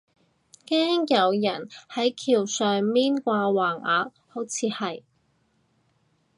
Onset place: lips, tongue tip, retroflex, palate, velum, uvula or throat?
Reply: velum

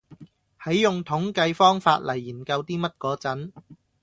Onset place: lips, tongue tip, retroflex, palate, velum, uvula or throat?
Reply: throat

